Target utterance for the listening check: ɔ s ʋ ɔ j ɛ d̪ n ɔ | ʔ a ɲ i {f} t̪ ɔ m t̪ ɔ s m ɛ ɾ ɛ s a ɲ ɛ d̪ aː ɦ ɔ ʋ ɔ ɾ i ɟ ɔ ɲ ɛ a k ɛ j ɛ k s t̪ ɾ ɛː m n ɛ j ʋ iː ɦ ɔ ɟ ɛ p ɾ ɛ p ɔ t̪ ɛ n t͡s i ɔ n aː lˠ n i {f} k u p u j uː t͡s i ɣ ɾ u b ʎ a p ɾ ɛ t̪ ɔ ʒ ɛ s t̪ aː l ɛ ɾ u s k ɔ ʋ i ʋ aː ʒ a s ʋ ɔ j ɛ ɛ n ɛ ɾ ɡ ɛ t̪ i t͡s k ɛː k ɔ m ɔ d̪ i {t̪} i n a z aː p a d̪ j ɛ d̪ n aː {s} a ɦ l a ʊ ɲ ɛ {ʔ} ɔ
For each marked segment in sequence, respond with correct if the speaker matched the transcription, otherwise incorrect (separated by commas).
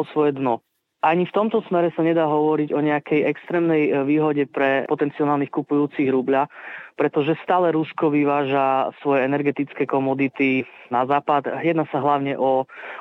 correct, incorrect, correct, correct, correct